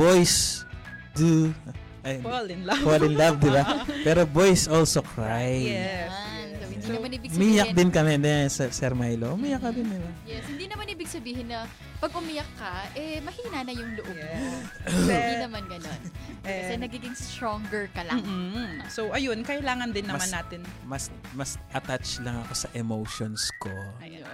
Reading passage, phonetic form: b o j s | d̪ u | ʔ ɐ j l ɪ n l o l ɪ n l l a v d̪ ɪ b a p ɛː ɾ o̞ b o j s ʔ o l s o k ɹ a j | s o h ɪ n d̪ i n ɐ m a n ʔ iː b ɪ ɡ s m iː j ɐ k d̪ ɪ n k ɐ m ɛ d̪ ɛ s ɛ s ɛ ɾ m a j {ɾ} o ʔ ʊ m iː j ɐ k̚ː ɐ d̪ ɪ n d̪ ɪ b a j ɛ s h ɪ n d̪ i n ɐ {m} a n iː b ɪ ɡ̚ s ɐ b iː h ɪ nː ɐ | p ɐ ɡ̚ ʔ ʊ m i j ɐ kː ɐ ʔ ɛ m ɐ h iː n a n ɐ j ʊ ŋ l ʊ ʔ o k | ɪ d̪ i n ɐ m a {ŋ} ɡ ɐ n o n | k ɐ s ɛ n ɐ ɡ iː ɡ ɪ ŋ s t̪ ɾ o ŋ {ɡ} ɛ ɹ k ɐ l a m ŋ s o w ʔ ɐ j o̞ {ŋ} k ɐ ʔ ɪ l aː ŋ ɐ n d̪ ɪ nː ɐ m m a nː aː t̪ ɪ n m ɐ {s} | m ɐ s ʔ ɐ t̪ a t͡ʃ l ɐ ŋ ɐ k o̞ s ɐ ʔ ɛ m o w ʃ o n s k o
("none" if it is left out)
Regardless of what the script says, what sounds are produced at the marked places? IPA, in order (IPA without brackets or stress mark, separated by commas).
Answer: l, m, n, ɡ, n, s